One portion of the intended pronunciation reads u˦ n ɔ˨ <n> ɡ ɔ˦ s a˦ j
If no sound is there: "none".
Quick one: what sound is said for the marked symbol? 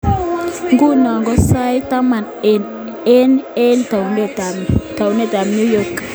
ŋ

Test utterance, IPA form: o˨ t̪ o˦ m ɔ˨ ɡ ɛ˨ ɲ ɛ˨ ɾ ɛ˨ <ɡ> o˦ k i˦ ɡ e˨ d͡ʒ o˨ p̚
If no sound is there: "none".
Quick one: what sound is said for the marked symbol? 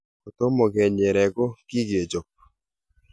ɡ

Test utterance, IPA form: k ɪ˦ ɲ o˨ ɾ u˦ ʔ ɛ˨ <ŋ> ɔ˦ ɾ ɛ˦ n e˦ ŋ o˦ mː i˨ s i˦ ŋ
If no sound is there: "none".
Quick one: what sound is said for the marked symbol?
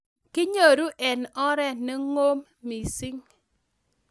n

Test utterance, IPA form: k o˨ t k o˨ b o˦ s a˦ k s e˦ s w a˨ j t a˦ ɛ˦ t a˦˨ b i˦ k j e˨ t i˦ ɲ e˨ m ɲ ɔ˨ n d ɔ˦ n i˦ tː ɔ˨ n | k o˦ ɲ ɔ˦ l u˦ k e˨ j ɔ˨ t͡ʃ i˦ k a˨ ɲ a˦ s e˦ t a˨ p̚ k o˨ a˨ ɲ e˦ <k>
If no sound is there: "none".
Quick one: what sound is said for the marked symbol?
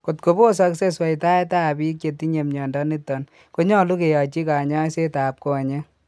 none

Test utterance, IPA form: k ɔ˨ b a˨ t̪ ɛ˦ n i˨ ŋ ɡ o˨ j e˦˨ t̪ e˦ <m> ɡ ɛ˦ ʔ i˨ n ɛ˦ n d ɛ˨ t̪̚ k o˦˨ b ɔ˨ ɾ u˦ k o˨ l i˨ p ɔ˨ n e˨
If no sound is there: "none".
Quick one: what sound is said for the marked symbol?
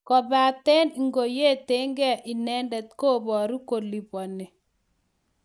ŋ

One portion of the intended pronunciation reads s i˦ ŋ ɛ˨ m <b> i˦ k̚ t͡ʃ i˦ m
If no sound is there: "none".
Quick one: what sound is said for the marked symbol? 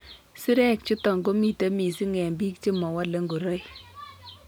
b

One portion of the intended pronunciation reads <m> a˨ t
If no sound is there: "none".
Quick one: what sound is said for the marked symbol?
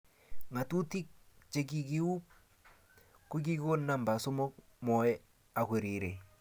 ŋ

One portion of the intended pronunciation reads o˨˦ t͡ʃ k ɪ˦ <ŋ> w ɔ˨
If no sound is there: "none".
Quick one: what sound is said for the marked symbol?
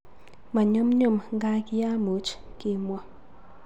m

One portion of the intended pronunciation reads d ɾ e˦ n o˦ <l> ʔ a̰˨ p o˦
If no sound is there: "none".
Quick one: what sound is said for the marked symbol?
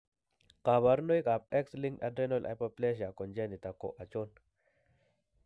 l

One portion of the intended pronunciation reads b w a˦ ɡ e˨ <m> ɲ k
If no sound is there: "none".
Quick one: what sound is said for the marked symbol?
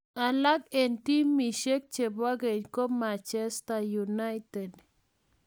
none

